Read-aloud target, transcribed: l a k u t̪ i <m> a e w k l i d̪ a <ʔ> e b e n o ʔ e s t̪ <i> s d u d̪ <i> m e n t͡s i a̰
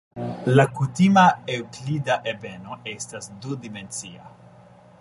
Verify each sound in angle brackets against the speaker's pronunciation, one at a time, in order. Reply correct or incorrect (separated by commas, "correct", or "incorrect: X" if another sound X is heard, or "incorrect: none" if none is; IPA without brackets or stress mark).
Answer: correct, correct, incorrect: a, correct